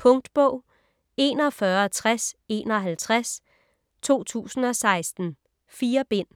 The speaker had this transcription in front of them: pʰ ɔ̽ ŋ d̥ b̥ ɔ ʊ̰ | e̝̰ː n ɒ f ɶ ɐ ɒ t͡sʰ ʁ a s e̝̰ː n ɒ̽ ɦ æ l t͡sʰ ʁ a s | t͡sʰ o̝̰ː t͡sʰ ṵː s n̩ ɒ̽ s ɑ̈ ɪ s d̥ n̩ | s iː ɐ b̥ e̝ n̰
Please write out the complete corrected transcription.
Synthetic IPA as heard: pʰ ɔ̽ ŋ d̥ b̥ ɔ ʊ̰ | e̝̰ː n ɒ f ɶ ɐ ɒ t͡sʰ ʁ a s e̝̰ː n ɒ̽ ɦ æ l t͡sʰ ʁ a s | t͡sʰ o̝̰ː t͡sʰ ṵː s n̩ ɒ̽ s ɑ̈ ɪ s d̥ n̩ | f iː ɐ b̥ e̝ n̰